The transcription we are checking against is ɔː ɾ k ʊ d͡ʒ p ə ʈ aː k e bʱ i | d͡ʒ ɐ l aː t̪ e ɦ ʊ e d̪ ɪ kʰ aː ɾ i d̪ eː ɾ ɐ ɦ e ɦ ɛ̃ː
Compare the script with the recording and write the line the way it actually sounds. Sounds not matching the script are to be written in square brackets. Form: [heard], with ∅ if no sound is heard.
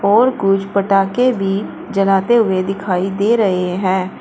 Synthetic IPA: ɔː ɾ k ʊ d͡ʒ p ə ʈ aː k e bʱ i | d͡ʒ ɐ l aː t̪ e ɦ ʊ e d̪ ɪ kʰ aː [∅] i d̪ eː ɾ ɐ ɦ e ɦ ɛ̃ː